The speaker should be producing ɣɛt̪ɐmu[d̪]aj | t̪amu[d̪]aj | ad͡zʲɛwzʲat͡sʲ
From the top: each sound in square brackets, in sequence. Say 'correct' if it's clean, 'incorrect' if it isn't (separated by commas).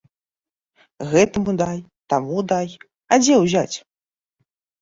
correct, correct